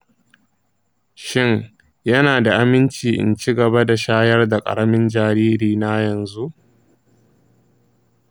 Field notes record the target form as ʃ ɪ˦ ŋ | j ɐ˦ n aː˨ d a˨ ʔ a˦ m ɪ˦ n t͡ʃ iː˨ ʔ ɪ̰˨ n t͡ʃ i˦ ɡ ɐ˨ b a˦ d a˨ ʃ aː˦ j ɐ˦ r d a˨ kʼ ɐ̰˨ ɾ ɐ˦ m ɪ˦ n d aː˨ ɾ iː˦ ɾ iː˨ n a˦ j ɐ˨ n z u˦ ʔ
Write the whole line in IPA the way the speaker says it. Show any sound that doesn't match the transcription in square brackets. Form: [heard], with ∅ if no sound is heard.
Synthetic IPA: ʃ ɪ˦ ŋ | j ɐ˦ n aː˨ d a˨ ʔ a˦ m ɪ˦ n t͡ʃ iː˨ ʔ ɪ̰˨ n t͡ʃ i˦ ɡ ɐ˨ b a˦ d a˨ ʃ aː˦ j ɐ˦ r d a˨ kʼ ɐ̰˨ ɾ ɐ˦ m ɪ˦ n [d͡ʒ] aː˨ ɾ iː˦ ɾ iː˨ n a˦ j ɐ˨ n z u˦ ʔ